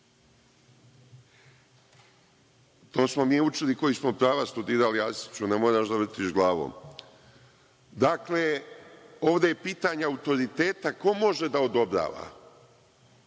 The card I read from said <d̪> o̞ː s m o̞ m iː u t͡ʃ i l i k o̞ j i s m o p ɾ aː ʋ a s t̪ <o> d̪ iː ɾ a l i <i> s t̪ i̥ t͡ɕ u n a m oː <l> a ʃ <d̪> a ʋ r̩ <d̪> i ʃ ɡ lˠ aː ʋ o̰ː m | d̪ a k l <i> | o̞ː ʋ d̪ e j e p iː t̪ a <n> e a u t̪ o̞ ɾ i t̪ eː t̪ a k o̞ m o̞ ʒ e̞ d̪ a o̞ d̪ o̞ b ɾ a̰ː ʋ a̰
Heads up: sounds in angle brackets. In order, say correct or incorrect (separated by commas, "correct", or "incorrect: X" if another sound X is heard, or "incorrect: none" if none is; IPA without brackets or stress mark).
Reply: incorrect: t̪, incorrect: u, incorrect: a, incorrect: ɾ, correct, incorrect: t̪, incorrect: e, incorrect: ɲ